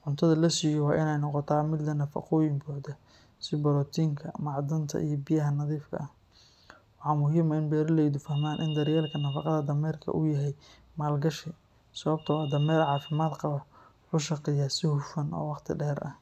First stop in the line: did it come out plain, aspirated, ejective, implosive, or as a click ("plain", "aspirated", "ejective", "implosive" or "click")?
aspirated